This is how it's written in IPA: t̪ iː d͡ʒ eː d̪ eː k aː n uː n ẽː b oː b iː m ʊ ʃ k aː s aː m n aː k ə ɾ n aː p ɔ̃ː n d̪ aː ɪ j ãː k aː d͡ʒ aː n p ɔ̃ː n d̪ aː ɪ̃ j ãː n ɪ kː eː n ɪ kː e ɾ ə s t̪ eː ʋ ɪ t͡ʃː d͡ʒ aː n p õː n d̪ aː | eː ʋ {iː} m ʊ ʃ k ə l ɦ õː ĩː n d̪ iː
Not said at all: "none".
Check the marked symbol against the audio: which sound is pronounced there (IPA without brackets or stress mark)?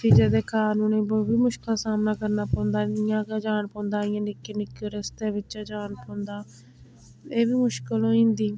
iː